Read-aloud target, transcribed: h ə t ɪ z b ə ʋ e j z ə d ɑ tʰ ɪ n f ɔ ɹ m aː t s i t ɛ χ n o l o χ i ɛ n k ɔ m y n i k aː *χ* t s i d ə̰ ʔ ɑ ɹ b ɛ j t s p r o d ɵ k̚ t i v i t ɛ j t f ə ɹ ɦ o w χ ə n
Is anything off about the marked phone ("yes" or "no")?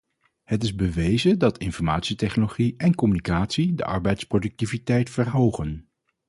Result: yes